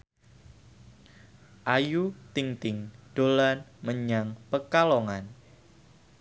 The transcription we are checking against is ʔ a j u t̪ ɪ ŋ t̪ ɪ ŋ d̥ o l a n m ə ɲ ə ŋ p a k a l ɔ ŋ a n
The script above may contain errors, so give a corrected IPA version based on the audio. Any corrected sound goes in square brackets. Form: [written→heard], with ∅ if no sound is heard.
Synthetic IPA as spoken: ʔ a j u t̪ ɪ ŋ t̪ ɪ ŋ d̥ o l a n m ə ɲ [ə→a] ŋ p [a→ə] k a l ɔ ŋ a n